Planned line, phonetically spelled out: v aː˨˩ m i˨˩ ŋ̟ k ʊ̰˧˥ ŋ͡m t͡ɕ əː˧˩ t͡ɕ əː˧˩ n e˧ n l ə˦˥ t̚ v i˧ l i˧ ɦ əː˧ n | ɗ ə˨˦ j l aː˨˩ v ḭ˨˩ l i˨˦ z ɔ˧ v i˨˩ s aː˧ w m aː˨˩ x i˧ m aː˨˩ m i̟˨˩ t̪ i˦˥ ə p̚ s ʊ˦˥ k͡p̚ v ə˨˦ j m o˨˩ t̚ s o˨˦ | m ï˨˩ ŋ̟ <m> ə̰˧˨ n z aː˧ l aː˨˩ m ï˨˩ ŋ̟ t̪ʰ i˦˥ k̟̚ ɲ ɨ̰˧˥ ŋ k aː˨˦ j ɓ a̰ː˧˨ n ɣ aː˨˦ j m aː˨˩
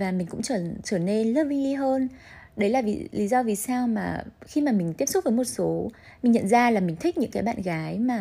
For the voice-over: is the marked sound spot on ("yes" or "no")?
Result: no